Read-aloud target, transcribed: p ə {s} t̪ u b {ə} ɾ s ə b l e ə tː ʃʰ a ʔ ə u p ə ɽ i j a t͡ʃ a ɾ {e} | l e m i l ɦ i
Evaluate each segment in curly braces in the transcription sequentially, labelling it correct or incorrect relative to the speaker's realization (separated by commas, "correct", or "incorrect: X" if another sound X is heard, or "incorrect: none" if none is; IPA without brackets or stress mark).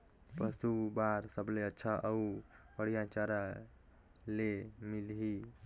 correct, incorrect: a, incorrect: a